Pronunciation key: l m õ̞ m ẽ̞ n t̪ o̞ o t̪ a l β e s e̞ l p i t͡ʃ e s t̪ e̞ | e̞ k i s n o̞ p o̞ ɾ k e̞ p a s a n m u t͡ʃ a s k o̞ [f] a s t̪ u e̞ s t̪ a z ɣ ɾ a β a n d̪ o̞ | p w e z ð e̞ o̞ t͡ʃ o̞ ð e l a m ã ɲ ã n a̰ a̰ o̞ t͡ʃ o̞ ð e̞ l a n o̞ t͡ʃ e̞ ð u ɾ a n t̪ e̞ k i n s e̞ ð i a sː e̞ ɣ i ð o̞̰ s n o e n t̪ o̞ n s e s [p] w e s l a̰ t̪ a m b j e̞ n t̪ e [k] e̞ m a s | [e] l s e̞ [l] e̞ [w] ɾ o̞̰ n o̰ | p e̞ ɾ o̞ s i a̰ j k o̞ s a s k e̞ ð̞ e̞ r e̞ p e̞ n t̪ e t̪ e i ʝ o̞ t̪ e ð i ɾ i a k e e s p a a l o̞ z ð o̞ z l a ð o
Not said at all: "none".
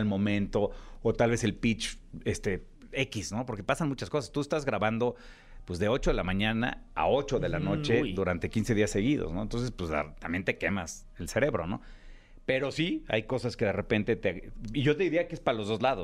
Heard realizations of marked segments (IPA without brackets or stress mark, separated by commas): s, p, k, e, ɾ, β